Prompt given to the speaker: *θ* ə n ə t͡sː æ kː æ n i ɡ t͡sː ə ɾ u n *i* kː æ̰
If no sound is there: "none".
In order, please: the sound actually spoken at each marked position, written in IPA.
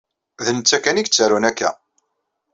ð, æ

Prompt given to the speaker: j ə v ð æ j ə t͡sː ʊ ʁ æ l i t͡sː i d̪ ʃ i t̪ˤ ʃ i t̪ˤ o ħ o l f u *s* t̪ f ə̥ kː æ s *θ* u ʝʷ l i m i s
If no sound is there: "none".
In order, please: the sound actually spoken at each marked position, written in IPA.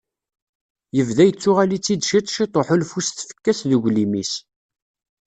s, ð

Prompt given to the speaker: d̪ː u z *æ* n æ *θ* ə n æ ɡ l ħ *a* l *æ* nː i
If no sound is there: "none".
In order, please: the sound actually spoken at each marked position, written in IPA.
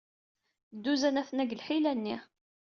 æ, θ, i, æ

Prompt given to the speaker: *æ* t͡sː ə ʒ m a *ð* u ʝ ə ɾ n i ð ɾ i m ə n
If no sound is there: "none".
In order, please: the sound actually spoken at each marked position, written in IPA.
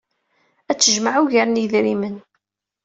æ, ʕ

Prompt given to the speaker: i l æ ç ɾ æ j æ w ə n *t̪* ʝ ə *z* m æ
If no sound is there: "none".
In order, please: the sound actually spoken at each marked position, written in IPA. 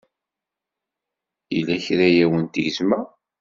t̪, z

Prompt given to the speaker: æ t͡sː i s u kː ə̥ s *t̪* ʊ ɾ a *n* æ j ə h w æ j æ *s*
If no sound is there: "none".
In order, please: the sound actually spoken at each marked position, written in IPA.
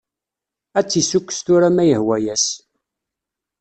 t̪, m, s

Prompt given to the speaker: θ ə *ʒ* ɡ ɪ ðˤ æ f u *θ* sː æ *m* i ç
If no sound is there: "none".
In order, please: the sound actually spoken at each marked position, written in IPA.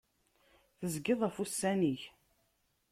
z, none, n

